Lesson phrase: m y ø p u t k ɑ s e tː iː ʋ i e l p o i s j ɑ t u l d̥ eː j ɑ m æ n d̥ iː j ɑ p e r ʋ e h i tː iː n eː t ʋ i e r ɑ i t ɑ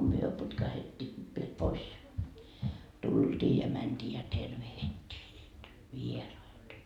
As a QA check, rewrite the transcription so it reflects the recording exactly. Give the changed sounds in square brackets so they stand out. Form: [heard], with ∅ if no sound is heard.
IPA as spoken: m y ø p u t k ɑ [h] e tː iː ʋ i e l p o i s j ɑ t u l d̥ [iː] j ɑ m æ n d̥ iː j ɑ [t] e r ʋ e h i tː iː n [iː] t ʋ i e r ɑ i t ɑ